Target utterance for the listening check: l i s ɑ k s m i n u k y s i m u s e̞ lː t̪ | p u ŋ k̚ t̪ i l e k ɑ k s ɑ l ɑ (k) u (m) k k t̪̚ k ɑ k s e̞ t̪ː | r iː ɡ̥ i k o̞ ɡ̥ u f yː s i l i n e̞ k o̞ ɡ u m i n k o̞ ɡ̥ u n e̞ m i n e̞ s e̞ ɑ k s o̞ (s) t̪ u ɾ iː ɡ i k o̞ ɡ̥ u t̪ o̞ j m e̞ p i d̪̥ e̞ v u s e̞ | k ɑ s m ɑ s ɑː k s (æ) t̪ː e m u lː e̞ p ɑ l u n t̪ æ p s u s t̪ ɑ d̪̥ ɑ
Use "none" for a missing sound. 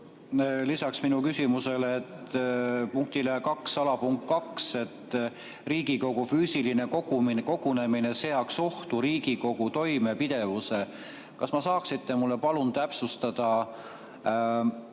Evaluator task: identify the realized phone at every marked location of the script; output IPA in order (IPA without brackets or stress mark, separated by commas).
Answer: p, ŋ, h, i